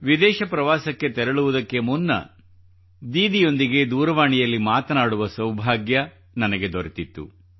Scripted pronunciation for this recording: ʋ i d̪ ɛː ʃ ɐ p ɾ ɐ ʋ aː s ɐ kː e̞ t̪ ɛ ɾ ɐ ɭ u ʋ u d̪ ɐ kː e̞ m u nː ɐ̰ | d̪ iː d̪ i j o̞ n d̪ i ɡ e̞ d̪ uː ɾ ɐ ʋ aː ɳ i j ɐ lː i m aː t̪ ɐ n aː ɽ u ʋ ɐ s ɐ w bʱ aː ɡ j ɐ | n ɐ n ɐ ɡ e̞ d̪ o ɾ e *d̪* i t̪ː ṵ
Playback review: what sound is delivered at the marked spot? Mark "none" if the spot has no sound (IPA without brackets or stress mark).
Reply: t̪